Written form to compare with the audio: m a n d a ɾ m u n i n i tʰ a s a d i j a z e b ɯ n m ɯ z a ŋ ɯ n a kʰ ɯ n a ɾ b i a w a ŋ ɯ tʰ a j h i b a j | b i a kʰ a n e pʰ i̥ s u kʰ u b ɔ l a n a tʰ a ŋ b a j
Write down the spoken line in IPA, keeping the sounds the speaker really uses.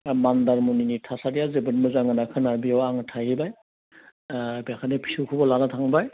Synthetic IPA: m a n d a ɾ m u n i n i tʰ a s a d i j a z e b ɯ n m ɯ z a ŋ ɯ n a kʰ ɯ n a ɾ b i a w a ŋ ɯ tʰ a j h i b a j | b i a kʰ a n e pʰ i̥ s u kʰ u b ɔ l a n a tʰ a ŋ b a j